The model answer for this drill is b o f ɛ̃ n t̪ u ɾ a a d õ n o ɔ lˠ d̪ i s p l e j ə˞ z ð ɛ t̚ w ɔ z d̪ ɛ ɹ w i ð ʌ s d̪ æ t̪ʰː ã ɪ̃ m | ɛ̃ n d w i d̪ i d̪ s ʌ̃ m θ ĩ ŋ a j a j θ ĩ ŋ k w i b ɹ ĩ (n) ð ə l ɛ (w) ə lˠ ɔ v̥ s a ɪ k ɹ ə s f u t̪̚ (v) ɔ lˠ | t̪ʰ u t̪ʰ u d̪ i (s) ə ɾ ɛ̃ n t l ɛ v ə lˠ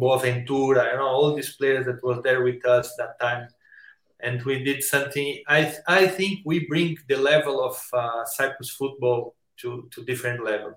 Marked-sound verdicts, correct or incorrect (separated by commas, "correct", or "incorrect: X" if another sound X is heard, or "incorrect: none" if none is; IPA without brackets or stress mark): incorrect: ŋ, incorrect: v, incorrect: b, incorrect: f